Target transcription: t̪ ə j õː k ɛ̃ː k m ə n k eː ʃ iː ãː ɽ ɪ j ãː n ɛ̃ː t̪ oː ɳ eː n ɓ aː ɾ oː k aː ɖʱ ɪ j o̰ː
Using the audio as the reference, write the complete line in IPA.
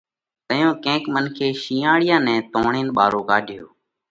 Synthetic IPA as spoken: t̪ ə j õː k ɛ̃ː k m ə n kʰ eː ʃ iː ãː ɽ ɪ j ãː n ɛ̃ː t̪ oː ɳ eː n ɓ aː ɾ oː k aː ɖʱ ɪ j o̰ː